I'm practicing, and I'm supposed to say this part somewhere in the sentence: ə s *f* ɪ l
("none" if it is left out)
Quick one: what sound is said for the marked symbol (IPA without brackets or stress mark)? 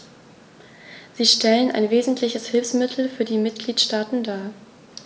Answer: h